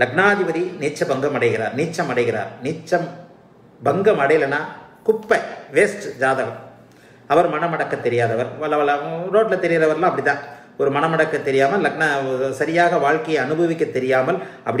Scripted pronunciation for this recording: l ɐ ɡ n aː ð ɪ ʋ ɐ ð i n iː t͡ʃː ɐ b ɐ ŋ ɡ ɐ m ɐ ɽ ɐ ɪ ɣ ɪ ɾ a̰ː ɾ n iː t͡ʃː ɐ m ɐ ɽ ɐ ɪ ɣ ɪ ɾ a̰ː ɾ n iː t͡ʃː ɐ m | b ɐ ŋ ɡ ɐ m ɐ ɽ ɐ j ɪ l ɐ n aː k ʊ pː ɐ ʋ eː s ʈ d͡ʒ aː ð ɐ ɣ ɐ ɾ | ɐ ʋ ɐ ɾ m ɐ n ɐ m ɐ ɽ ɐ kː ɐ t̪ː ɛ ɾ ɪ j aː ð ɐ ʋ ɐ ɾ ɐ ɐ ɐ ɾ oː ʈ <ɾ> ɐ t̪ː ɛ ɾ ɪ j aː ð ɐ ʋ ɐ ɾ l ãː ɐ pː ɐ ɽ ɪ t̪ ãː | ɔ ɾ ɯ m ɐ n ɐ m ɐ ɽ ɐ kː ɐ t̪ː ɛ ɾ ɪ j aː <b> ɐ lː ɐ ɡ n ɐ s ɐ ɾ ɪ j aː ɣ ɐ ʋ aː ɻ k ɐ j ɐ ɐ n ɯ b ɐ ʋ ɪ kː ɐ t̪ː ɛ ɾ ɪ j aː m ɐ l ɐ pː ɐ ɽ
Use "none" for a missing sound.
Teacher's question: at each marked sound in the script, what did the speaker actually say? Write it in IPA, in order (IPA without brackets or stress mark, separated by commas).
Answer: l, m